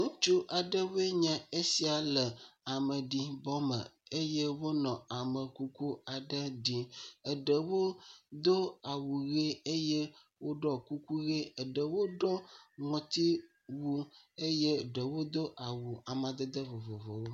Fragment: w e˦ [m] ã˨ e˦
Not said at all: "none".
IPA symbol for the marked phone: ɲ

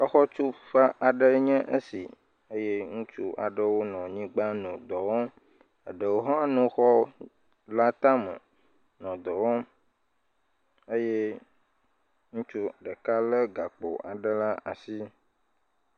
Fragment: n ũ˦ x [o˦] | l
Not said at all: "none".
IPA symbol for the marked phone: ɔ˦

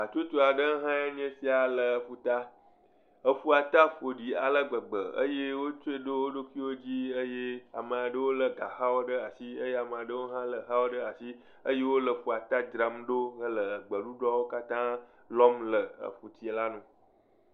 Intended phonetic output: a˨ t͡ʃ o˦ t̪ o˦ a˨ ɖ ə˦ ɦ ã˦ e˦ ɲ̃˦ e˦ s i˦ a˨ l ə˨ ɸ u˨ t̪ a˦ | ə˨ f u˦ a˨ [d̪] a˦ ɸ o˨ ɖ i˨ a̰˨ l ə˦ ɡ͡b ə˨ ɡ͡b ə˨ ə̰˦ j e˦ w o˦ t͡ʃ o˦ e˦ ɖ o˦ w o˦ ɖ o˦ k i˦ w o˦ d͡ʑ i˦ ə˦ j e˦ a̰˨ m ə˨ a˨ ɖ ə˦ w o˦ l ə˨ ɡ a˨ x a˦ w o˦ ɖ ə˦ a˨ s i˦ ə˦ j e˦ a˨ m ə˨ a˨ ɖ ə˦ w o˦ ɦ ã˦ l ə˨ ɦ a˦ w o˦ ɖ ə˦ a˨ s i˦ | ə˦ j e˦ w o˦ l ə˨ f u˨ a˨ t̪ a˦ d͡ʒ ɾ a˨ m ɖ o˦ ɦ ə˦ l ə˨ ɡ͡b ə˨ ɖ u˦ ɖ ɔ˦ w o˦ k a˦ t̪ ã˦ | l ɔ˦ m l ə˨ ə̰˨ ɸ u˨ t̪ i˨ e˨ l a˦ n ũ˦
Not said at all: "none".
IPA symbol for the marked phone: t̪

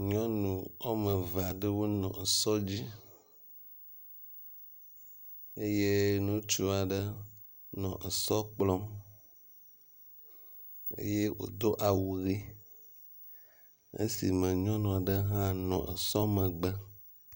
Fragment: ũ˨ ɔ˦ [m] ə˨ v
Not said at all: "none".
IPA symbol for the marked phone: m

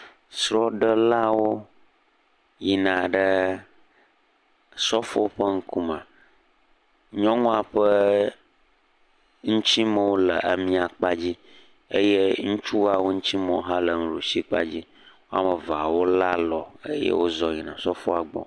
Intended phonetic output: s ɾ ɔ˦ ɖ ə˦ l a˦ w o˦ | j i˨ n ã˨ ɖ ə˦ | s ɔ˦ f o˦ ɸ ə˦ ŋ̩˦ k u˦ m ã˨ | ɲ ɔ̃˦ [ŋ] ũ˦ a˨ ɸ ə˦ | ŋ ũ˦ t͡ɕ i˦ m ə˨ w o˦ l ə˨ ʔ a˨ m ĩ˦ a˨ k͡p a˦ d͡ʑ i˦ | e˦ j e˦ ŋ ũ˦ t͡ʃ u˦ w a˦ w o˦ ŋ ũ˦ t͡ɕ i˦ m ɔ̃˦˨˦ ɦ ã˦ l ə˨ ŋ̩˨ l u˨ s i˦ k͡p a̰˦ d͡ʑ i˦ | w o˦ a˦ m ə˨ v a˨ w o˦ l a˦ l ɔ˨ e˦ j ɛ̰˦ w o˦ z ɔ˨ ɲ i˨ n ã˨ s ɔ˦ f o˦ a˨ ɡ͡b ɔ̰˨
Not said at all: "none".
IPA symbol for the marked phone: ŋ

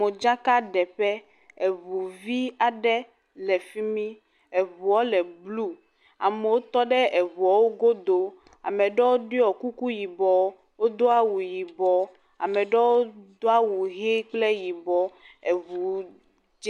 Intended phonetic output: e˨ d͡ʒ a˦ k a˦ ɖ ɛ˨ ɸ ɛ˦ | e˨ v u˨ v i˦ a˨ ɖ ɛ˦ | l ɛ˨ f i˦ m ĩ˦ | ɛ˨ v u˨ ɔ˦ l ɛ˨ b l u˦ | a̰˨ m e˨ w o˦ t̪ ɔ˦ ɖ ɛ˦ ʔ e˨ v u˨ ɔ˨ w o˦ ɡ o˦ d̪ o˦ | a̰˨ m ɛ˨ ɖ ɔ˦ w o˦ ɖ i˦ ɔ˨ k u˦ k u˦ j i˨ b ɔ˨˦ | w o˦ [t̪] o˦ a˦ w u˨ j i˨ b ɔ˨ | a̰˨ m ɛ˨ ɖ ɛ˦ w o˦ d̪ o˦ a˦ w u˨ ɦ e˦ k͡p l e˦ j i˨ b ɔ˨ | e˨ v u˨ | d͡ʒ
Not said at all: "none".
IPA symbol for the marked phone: d̪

